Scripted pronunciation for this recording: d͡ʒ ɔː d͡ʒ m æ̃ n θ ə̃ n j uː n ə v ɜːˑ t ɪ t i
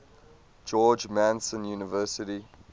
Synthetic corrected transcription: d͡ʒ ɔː d͡ʒ m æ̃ n s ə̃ n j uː n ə v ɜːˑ s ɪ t i